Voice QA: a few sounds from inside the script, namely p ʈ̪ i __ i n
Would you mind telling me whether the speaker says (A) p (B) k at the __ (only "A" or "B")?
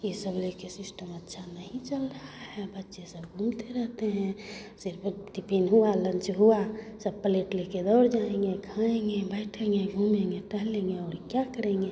A